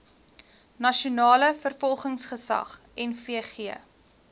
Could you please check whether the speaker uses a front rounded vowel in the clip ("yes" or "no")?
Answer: no